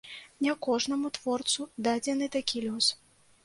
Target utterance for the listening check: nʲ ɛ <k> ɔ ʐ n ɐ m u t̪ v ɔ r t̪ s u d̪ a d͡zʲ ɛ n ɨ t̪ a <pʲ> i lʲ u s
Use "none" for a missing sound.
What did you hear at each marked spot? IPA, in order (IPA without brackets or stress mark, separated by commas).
k, kʲ